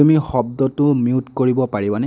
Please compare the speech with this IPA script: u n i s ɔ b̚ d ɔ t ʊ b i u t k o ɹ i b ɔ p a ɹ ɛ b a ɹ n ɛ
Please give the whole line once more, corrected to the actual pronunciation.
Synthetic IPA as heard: u m i x ɔ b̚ d ɔ t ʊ m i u t k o ɹ i b ɔ p a ɹ i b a n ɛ

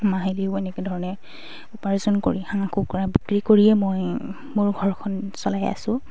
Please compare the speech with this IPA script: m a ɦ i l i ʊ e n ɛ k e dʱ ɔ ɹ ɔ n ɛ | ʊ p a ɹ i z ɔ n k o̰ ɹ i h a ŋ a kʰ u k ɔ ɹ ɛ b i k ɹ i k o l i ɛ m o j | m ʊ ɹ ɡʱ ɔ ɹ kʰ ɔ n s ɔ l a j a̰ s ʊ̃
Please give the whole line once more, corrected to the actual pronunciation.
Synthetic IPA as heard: m a ɦ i l i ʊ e n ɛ k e dʱ ɔ ɹ ɔ n ɛ | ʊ p a ɹ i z ɔ n k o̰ ɹ i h a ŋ a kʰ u k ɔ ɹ a b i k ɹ i k o ɹ i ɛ m o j | m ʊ ɹ ɡʱ ɔ ɹ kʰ ɔ n s ɔ l a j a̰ s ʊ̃

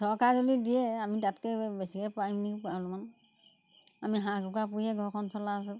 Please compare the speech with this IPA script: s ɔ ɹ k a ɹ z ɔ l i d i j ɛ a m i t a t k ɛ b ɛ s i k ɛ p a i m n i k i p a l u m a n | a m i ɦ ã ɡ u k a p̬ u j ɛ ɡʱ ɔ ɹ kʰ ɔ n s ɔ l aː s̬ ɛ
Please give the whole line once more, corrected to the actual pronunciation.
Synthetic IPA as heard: s ɔ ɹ k a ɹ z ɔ l i d i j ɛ a m i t a t k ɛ b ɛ s i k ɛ p a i m n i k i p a l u m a n | a m i ɦ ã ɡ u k a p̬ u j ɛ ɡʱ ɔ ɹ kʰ ɔ n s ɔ l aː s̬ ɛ

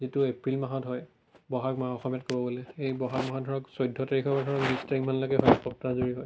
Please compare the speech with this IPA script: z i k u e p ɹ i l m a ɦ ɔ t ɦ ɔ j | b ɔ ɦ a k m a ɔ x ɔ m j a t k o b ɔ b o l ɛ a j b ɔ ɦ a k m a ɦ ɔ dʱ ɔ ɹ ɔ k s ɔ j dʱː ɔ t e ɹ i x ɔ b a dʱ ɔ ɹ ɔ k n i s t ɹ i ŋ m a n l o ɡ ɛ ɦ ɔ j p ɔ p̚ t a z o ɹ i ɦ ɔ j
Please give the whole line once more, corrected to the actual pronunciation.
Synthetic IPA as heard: z i t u e p ɹ i l m a ɦ ɔ t ɦ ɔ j | b ɔ ɦ a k m a ɔ x ɔ m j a t k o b ɔ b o l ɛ e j b ɔ ɦ a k m a ɦ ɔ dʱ ɔ ɹ ɔ k s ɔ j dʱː ɔ t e ɹ i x ɔ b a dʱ ɔ ɹ ɔ k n i s t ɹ i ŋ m a n l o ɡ ɛ ɦ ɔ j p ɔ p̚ t a z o ɹ i ɦ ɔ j

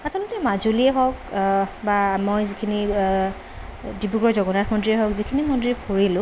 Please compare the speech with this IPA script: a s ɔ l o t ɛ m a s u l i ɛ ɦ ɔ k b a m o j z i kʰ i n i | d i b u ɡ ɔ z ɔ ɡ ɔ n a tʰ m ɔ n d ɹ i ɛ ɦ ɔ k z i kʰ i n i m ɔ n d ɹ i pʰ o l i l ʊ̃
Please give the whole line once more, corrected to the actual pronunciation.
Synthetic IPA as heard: a s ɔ l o t ɛ m a z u l i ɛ ɦ ɔ k b a m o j z i kʰ i n i | d i b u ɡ ɔ z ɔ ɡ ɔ n a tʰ m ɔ n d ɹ i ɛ ɦ ɔ k z i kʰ i n i m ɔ n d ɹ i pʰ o ɹ i l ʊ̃

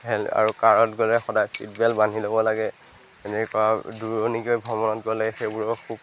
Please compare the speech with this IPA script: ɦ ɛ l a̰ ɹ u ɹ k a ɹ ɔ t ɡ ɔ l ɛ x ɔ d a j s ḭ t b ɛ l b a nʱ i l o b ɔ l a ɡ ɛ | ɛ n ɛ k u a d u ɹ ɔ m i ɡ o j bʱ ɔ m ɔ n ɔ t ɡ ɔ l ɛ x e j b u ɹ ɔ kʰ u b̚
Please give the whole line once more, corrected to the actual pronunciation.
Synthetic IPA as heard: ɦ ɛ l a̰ ɹ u k a ɹ ɔ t ɡ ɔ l ɛ x ɔ d a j s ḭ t b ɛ l b a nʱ i l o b ɔ l a ɡ ɛ | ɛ n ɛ k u a d u ɹ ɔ n i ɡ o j bʱ ɔ m ɔ n ɔ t ɡ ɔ l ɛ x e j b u ɹ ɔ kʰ u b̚

